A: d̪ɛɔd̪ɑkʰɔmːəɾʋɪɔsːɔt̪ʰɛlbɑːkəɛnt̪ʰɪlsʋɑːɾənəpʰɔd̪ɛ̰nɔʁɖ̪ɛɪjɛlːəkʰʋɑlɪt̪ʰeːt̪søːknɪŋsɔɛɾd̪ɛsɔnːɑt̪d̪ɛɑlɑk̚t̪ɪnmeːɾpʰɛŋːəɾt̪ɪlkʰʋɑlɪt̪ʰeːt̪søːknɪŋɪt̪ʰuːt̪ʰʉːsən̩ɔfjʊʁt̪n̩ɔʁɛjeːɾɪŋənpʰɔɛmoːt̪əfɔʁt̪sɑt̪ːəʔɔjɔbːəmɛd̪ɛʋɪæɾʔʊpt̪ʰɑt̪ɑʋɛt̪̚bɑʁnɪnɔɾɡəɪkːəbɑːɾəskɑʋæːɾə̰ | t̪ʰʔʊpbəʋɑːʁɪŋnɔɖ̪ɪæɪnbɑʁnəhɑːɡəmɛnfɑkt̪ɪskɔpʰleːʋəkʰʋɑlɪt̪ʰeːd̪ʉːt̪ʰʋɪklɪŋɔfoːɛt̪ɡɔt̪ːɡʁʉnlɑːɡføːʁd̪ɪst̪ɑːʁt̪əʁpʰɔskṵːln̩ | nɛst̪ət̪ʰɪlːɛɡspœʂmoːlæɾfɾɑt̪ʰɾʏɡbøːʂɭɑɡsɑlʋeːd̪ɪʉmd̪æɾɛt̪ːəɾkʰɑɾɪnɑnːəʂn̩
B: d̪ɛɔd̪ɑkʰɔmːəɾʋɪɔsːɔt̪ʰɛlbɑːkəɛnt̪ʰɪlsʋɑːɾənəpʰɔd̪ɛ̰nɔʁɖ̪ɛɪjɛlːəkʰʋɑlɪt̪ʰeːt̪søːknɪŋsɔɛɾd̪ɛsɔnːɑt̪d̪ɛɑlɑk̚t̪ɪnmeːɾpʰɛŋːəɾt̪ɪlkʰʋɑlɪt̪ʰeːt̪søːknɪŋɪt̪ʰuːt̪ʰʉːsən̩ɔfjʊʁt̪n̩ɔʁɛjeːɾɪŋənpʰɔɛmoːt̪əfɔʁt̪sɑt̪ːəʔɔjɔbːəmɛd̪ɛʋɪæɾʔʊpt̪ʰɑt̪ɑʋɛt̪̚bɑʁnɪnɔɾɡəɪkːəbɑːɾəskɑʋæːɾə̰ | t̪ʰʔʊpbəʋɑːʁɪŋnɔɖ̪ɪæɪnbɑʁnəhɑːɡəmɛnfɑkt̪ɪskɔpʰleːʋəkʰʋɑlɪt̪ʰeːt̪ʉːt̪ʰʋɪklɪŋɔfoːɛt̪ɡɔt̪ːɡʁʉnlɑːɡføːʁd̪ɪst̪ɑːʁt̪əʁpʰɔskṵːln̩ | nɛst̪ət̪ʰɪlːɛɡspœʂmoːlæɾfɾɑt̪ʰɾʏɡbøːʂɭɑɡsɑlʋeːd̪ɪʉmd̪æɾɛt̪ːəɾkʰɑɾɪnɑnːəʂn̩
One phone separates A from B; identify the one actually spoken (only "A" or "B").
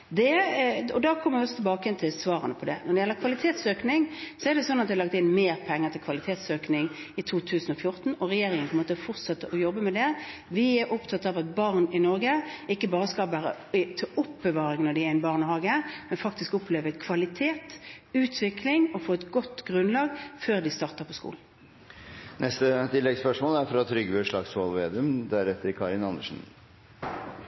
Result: B